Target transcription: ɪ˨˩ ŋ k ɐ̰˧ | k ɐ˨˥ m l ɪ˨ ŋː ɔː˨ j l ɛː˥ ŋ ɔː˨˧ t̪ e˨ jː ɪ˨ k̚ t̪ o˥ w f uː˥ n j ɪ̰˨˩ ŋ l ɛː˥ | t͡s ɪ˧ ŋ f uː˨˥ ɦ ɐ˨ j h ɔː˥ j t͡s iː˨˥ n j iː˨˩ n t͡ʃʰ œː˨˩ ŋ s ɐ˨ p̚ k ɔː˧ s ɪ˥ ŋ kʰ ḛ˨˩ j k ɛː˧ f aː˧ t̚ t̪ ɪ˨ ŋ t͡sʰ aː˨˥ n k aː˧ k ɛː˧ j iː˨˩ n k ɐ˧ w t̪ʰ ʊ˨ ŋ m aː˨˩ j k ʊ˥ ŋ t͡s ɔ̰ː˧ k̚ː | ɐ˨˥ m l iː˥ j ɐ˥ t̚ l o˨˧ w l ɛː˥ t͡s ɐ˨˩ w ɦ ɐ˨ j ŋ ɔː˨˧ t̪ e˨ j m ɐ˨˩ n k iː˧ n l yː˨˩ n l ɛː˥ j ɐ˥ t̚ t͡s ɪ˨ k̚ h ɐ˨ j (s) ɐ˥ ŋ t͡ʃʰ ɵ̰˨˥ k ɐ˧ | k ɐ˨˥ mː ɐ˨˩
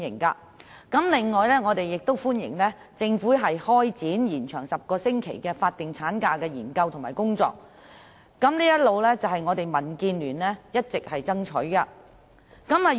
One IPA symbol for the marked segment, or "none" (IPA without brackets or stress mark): t͡s